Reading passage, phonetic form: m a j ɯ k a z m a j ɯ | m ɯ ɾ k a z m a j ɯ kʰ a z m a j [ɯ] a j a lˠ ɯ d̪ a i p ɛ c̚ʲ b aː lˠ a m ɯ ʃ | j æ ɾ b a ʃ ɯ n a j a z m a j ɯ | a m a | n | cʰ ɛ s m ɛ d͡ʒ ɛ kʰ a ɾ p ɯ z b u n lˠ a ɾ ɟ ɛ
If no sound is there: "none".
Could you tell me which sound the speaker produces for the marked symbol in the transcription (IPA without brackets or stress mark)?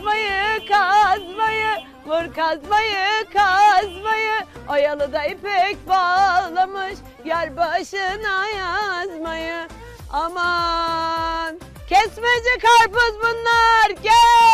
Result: ɯ